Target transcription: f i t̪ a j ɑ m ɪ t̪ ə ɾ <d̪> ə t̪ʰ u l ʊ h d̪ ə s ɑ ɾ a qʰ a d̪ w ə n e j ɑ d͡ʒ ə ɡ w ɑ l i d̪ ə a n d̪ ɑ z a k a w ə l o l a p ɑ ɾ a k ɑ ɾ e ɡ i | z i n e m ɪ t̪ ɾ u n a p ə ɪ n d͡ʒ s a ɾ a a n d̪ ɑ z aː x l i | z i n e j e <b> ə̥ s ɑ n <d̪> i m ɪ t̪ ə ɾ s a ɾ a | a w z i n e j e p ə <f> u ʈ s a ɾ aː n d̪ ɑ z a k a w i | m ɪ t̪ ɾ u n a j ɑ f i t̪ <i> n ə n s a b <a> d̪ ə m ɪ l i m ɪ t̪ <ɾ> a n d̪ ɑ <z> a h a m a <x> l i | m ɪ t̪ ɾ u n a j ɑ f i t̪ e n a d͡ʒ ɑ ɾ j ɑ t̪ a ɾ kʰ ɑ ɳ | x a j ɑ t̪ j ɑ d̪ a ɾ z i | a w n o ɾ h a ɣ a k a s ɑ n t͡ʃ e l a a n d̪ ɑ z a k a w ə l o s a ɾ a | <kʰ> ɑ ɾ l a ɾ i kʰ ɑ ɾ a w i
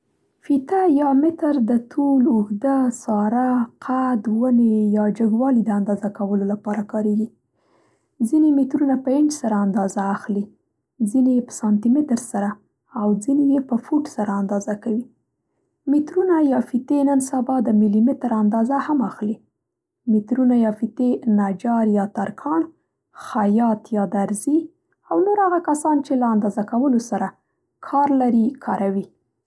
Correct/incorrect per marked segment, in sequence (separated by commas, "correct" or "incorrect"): correct, incorrect, incorrect, correct, incorrect, incorrect, correct, correct, correct, correct